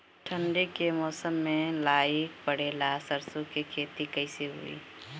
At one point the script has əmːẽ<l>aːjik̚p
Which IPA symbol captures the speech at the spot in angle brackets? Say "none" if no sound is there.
l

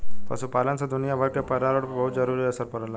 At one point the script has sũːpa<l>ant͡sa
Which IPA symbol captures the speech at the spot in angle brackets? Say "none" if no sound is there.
l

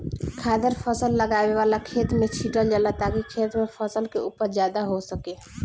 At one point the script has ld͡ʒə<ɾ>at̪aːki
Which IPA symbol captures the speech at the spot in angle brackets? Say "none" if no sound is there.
l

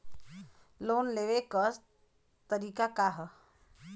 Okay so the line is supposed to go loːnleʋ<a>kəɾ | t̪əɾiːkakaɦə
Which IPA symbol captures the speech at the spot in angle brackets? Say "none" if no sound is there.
e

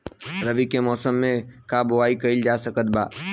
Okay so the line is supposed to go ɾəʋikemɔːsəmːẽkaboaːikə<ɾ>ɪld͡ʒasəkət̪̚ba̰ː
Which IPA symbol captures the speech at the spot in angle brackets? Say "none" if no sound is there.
none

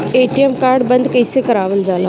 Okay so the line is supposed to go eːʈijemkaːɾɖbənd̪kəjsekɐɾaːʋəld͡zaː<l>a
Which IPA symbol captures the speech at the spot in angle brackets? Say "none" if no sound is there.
l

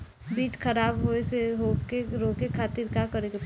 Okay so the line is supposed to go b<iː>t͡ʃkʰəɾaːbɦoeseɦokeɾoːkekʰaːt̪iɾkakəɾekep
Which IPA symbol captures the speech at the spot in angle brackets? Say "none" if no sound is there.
iː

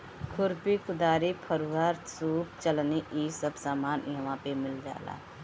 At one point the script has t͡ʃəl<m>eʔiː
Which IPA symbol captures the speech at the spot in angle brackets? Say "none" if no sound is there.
n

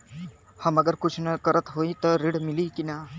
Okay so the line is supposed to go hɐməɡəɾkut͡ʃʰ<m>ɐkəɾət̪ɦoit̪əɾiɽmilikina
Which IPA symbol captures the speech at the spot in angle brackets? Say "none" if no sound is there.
n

